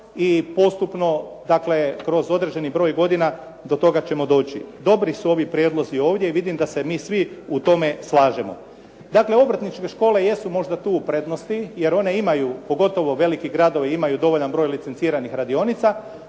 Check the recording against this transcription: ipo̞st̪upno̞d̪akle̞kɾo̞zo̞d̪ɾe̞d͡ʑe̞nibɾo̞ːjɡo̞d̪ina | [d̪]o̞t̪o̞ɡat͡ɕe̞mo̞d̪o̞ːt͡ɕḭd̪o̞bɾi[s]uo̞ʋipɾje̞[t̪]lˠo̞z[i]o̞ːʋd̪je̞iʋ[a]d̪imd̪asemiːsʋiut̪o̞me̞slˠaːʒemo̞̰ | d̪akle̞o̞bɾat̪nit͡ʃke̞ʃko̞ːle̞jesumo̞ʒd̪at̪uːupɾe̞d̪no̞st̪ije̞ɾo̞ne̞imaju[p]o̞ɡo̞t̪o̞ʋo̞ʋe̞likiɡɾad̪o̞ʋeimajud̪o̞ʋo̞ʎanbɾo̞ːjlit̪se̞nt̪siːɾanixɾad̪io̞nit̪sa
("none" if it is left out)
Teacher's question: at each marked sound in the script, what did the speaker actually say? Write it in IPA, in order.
d̪, s, d̪, i, i, p

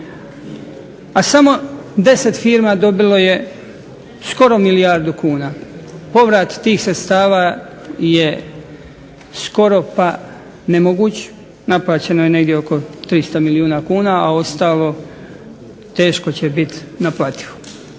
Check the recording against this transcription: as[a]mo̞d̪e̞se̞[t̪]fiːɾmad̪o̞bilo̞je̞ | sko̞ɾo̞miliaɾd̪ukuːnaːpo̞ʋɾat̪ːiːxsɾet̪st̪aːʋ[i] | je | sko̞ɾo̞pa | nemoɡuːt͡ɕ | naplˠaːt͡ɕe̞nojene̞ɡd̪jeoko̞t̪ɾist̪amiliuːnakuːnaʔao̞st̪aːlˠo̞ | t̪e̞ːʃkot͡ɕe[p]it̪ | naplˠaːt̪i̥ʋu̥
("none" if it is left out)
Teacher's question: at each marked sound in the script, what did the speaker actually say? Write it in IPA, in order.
a, t̪, a, b

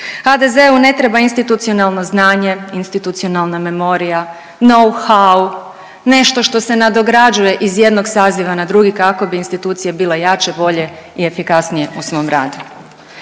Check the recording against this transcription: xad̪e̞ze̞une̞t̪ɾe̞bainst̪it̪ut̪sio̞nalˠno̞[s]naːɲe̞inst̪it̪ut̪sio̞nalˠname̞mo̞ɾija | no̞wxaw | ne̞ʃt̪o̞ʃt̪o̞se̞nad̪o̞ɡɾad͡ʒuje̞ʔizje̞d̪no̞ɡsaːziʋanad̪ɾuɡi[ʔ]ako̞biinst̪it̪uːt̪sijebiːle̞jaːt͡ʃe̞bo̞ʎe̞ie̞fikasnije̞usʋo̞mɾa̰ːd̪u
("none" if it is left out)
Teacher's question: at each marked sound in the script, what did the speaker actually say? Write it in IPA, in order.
z, k

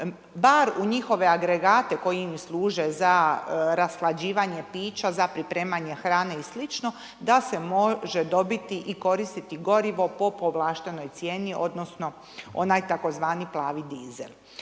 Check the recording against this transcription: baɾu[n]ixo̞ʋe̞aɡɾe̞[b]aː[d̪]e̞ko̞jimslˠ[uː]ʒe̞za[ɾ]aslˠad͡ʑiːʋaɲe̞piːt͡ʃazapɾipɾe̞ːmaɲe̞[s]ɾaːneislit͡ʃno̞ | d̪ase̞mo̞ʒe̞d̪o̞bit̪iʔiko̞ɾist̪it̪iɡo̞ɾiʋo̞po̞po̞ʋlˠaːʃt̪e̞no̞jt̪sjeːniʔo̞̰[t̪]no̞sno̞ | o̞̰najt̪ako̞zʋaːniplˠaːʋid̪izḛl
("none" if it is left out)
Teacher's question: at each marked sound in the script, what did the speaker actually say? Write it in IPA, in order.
ɲ, ɡ, t̪, uː, ɾ, x, d̪

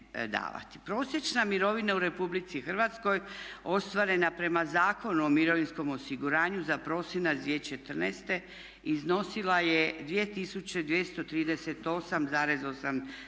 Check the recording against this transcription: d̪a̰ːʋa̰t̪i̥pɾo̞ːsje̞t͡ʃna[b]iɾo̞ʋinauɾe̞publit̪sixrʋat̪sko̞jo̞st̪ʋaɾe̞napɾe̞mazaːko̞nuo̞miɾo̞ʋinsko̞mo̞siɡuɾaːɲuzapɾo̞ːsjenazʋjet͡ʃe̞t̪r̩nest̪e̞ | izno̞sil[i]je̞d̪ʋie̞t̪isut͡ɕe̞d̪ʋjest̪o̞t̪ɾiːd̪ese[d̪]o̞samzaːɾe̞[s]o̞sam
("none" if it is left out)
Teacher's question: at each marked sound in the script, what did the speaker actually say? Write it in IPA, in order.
m, a, t̪, z

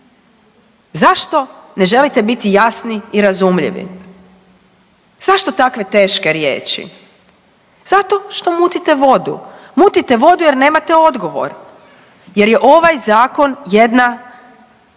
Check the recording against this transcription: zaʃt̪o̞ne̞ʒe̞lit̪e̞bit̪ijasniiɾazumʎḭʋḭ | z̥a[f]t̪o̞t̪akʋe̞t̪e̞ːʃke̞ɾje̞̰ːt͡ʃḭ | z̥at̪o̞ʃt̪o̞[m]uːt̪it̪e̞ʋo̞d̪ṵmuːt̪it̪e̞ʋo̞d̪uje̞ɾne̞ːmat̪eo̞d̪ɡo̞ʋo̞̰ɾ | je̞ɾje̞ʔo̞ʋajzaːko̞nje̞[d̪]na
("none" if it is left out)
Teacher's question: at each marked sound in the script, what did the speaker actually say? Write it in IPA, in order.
ʃ, m, d̪

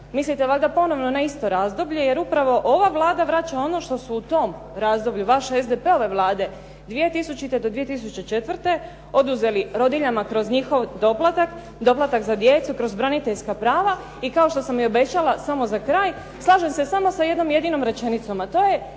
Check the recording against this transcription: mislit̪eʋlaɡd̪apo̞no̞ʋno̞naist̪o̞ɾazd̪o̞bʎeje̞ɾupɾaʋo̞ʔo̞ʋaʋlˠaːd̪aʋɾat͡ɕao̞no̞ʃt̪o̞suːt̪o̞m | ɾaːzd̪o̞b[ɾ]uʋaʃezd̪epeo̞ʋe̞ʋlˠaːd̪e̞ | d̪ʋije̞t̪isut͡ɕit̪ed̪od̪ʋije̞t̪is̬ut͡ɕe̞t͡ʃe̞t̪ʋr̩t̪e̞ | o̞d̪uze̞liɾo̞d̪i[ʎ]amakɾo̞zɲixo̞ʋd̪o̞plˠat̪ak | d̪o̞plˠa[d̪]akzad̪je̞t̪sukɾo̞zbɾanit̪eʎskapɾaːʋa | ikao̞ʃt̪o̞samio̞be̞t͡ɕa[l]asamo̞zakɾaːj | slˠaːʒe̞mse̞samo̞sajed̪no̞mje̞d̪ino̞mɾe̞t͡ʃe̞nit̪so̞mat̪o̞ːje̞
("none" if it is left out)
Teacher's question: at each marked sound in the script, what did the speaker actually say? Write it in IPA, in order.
ʎ, ʎ, t̪, l

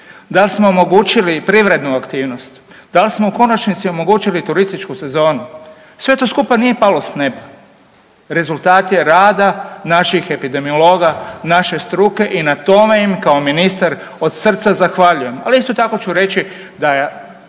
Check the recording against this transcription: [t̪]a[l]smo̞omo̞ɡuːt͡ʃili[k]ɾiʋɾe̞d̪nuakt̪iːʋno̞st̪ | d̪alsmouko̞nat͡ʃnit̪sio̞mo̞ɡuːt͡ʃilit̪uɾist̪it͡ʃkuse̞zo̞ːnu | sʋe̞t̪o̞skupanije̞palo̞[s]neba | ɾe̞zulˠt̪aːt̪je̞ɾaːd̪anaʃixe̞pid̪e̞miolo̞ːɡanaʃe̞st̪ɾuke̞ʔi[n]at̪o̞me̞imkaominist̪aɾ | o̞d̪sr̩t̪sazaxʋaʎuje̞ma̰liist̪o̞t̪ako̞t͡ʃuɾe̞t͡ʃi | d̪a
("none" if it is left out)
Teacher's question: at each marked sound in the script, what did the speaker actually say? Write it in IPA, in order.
d̪, l, p, s, n

